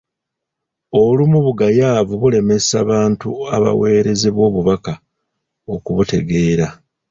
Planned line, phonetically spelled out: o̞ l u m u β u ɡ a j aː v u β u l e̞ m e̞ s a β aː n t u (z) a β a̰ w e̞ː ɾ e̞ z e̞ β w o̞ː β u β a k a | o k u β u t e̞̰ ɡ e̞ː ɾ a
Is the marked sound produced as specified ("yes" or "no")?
no